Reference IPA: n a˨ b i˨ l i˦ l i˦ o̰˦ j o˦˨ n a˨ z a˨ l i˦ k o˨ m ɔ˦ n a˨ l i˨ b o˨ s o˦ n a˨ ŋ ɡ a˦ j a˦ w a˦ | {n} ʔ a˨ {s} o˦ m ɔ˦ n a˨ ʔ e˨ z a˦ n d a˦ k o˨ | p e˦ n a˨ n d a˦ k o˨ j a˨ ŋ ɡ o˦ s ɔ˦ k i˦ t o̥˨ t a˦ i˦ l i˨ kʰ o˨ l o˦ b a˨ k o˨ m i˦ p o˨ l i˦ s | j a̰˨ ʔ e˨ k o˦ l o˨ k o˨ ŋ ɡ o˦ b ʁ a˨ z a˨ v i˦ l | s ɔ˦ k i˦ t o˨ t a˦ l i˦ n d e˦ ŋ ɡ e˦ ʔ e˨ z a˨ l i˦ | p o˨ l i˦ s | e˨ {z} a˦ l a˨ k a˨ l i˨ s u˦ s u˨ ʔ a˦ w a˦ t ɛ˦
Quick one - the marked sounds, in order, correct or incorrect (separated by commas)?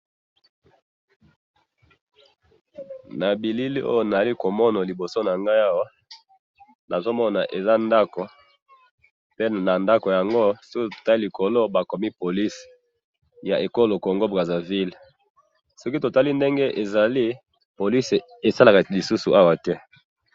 correct, incorrect, incorrect